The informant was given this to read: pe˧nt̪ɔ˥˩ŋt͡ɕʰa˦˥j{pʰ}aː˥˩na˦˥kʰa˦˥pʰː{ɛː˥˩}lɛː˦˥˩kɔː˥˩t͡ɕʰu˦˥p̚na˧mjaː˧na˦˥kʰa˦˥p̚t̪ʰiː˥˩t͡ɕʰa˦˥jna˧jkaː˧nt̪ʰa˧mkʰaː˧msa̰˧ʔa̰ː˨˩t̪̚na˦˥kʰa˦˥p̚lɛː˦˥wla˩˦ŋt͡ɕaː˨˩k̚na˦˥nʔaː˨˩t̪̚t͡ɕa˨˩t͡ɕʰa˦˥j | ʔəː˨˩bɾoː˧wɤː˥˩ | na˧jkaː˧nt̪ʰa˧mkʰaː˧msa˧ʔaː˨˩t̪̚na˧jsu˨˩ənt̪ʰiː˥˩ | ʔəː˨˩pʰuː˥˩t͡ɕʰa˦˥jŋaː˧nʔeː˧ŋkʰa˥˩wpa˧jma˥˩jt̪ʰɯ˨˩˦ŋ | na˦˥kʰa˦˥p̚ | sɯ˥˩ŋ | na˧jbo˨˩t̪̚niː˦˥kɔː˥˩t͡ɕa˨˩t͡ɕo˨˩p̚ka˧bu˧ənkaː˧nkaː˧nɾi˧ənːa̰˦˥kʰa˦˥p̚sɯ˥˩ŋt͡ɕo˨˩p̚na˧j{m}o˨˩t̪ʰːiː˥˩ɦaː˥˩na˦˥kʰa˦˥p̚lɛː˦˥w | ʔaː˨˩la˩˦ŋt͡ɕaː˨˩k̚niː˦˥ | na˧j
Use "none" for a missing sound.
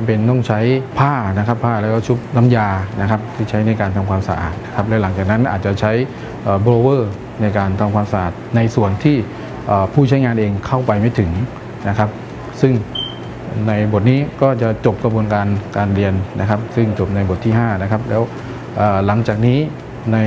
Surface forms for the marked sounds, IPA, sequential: pʰ, aː˥˩, b

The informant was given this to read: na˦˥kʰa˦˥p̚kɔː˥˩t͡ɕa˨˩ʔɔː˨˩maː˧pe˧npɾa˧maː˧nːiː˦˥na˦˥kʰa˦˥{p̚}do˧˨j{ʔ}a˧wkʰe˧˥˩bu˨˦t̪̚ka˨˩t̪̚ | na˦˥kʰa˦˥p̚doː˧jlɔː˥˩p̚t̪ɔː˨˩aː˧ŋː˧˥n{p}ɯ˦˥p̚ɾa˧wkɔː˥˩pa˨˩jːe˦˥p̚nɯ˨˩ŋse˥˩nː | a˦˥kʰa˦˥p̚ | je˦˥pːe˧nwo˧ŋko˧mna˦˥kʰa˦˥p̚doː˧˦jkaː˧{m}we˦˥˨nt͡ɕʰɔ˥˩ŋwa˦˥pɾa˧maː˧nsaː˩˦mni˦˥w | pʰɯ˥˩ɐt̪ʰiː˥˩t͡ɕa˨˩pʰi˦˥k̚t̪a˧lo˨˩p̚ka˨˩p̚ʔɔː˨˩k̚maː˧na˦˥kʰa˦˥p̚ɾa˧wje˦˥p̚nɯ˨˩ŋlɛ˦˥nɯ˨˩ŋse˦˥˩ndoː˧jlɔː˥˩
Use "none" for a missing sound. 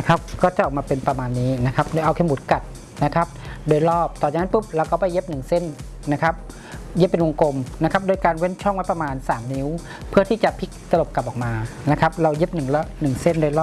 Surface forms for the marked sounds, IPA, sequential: p̚, ʔ, p, n

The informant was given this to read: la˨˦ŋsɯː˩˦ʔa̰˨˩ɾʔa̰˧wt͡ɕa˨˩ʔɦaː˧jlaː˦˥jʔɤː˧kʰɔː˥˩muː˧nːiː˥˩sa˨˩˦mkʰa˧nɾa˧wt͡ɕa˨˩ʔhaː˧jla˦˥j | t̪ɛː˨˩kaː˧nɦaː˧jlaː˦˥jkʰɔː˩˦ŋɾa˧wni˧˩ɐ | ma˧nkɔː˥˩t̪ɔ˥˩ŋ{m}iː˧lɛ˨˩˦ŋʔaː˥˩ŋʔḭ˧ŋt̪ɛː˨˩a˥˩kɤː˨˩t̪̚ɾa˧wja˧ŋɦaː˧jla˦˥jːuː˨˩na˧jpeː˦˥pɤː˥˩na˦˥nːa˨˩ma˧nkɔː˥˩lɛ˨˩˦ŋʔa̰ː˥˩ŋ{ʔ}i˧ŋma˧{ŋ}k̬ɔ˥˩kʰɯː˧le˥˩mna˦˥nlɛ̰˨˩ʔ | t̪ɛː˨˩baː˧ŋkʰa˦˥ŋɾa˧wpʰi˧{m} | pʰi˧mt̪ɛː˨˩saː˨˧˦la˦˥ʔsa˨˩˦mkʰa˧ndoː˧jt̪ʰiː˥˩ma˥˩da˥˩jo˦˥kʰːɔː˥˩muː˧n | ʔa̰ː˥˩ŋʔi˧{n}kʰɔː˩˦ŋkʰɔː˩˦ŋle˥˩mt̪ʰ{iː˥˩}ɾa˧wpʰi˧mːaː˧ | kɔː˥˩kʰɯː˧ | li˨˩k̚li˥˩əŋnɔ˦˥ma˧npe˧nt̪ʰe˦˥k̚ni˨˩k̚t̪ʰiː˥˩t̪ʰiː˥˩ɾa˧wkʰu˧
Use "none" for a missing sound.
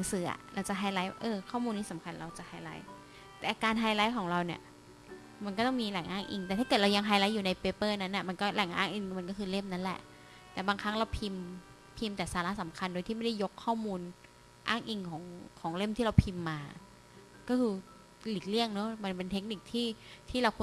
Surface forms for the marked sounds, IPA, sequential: m, ʔ, n, m, ŋ, iː˥˩

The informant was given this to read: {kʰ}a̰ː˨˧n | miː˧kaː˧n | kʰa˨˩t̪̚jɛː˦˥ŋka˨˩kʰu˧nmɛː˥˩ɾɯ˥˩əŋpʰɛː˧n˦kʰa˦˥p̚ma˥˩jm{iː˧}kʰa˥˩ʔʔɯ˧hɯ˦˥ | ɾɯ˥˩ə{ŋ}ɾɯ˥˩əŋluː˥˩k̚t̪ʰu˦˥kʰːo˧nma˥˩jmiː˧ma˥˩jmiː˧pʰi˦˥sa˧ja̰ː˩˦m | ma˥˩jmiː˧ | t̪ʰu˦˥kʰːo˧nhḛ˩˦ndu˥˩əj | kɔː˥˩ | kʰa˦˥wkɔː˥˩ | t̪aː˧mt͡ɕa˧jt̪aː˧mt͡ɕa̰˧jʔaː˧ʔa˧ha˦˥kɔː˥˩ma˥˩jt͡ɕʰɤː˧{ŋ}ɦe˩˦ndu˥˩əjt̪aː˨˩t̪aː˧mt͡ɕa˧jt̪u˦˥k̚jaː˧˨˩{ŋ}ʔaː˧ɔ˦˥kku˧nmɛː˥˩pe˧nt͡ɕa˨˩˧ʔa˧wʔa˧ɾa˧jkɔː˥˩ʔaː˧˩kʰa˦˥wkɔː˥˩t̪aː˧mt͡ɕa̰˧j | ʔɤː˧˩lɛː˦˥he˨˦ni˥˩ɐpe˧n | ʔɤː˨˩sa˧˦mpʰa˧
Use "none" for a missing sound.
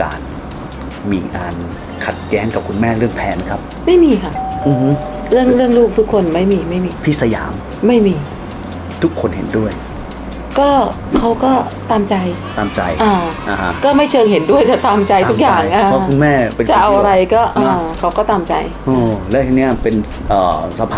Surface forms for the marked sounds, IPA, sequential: k, iː˧, ŋ, ŋ, ŋ

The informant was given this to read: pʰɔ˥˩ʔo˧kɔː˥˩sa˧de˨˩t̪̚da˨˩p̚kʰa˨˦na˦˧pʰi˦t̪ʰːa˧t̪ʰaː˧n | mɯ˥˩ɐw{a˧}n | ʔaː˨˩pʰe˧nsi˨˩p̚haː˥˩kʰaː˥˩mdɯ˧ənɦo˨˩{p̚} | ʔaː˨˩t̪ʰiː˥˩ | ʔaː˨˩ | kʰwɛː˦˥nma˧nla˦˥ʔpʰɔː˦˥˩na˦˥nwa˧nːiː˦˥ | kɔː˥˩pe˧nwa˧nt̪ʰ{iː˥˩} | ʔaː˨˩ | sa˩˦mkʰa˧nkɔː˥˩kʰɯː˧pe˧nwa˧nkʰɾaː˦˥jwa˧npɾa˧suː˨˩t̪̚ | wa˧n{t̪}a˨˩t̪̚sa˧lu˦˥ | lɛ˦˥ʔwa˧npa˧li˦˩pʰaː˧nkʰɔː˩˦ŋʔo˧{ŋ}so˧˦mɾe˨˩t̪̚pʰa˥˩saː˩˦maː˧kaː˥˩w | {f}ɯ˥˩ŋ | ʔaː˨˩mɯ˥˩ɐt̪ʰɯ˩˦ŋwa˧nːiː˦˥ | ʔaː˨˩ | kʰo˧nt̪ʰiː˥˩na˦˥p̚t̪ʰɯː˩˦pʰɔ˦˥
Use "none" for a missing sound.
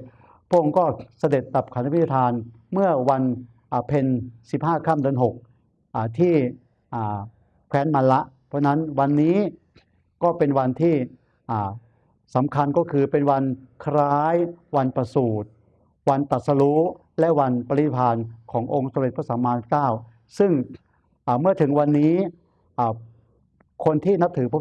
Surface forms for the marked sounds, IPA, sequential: a˧, k̚, iː˥˩, t̪, ŋ, s

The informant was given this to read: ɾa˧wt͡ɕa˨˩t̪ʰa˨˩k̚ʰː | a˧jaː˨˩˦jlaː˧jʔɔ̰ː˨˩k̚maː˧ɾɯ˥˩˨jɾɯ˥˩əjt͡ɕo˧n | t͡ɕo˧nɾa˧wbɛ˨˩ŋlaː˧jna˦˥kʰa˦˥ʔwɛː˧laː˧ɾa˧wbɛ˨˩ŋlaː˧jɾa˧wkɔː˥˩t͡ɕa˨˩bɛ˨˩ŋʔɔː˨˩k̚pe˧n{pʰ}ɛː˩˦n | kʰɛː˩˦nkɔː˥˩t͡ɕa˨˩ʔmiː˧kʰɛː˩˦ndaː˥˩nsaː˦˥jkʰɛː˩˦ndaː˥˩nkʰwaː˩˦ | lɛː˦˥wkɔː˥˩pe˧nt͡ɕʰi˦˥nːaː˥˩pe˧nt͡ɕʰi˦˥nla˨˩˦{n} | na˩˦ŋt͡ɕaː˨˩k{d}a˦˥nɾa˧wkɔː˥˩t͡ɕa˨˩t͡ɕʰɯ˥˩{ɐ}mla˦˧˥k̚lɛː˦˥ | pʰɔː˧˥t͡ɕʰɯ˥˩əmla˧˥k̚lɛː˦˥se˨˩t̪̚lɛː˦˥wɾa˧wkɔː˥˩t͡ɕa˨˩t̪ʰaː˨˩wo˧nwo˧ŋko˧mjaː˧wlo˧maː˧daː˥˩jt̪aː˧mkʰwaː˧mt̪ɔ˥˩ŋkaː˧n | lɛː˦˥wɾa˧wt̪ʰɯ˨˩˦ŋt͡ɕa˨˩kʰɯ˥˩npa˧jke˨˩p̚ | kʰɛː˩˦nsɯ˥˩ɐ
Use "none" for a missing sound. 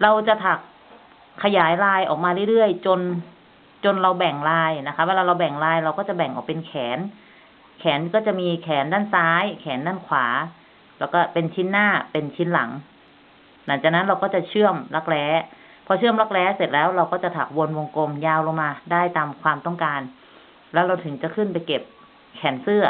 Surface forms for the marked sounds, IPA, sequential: kʰ, ŋ, n, ə

